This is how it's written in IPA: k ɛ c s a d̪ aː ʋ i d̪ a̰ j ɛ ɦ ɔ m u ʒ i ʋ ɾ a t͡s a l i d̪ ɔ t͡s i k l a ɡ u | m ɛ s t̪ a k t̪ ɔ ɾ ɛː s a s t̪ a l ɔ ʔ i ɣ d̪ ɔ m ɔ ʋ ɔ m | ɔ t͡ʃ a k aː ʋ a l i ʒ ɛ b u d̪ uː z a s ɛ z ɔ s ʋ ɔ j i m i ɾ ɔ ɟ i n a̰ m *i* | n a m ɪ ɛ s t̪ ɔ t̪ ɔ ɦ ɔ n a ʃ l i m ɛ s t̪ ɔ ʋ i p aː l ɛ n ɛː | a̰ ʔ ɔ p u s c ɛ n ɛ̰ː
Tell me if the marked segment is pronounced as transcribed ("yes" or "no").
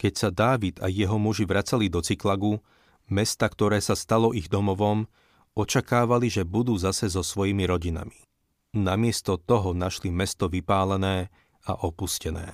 yes